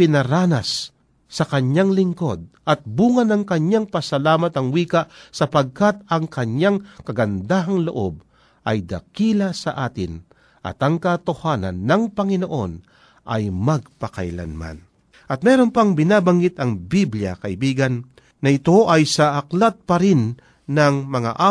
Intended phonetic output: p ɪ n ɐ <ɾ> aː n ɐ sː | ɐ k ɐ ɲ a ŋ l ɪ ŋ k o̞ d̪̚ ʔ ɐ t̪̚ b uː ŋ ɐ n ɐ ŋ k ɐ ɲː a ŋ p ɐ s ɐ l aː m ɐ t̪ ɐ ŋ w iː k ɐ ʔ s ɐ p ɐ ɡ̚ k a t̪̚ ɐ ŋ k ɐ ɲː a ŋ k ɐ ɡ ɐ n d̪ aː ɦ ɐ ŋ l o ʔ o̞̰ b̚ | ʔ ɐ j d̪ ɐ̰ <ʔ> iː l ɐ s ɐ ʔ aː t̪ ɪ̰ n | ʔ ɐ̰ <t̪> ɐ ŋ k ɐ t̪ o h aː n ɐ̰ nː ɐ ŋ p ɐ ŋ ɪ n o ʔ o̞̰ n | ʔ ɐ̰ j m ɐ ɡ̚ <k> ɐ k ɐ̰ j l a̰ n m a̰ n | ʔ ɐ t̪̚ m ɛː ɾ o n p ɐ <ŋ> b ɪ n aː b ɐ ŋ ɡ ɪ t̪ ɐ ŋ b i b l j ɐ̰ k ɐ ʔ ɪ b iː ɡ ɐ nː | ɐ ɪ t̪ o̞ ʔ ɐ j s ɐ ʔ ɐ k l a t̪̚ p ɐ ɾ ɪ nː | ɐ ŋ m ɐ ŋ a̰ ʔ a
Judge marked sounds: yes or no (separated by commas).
yes, no, yes, no, yes